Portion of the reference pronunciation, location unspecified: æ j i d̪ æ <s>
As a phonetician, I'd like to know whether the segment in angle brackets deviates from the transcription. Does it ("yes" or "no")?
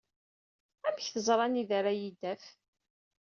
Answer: yes